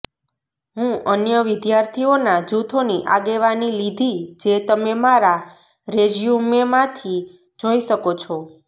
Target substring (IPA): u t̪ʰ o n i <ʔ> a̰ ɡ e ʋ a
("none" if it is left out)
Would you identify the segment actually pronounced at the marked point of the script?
ʔ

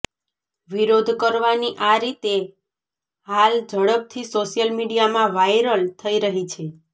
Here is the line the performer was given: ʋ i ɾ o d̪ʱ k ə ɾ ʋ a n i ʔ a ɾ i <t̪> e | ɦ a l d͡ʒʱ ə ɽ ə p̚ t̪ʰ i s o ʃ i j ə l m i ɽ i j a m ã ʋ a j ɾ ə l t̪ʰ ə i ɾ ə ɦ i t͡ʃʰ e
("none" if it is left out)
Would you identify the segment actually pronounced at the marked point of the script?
t̪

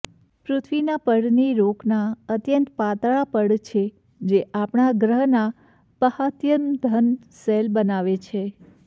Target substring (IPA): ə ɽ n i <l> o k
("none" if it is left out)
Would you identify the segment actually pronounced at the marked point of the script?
ɾ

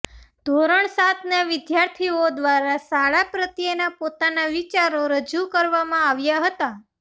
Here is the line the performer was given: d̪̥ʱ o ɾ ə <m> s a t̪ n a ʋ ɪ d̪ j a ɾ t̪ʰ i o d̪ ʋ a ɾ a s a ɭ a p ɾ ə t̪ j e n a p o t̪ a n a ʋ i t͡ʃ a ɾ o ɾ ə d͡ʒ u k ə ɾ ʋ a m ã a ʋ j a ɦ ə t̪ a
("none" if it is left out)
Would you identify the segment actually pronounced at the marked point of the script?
ɳ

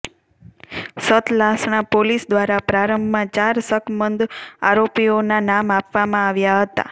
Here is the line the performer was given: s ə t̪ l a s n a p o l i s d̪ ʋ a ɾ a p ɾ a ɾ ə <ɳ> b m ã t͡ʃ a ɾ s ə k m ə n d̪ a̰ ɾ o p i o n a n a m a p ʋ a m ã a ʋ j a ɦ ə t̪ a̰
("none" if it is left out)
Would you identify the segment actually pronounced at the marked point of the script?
m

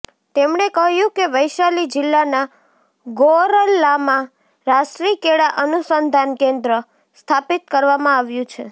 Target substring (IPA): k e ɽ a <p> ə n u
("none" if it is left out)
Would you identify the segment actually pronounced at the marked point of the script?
ʔ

